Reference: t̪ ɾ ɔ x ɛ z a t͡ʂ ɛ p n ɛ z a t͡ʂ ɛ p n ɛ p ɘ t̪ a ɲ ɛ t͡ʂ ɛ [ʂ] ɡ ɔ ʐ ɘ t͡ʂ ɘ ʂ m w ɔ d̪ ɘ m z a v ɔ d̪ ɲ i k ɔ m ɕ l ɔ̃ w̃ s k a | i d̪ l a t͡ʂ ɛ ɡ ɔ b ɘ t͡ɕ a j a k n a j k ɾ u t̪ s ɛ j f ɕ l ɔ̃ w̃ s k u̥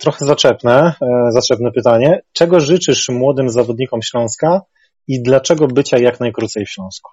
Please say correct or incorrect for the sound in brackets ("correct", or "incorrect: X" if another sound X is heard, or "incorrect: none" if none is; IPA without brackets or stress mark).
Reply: incorrect: none